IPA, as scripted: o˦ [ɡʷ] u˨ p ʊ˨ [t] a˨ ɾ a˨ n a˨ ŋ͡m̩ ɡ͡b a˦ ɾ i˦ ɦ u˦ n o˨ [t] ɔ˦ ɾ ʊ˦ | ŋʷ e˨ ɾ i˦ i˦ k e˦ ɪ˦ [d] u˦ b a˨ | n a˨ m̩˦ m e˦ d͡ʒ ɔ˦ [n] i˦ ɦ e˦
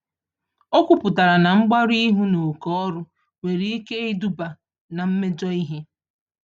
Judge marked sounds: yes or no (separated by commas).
no, yes, no, yes, no